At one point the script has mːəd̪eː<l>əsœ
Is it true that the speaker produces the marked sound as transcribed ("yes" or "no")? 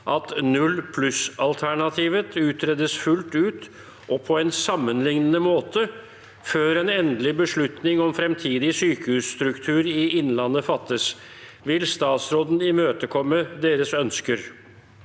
no